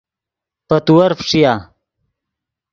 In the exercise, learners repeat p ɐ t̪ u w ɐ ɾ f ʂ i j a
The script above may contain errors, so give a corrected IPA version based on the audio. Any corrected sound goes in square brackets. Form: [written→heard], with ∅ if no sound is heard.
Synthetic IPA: p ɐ t̪ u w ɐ ɾ f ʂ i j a